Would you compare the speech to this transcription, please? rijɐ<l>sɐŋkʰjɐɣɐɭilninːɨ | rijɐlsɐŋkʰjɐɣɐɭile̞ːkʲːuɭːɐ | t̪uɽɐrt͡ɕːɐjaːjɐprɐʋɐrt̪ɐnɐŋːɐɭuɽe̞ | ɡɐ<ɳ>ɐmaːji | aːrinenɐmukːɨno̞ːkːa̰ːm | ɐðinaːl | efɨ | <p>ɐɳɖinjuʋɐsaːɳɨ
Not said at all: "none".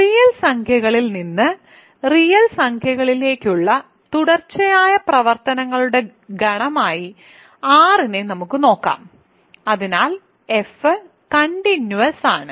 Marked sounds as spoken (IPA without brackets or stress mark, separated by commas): l, ɳ, k